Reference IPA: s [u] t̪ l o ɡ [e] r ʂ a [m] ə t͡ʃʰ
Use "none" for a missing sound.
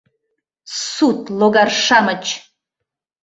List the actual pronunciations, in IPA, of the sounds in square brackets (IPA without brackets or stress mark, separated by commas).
u, a, m